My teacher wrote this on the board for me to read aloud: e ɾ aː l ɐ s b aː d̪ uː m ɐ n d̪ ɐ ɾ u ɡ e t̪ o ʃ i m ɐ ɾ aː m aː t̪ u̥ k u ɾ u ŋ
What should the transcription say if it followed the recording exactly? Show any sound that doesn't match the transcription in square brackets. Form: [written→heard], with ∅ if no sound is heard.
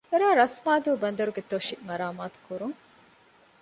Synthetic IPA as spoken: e ɾ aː [l→ɾ] ɐ s [b→m] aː d̪ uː [m→b] ɐ n d̪ ɐ ɾ u ɡ e t̪ o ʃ i m ɐ ɾ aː m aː t̪ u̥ k u ɾ u ŋ